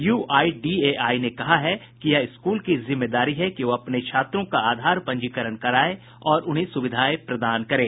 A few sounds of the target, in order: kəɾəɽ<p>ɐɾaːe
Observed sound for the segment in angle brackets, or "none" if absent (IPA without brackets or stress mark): k